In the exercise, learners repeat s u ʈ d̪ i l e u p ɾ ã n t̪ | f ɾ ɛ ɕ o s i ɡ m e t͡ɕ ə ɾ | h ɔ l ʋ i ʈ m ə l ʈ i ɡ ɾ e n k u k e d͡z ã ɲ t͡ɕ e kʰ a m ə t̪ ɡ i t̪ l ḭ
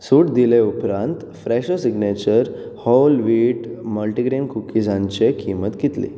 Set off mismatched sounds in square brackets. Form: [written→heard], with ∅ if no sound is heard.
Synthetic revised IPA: s u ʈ d̪ i l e u p ɾ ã n t̪ | f ɾ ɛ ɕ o s i ɡ [m→n] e t͡ɕ ə ɾ | h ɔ l ʋ i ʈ m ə l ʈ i ɡ ɾ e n k u k [e→i] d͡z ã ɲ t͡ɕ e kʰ [a→i] m ə t̪ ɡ i t̪ l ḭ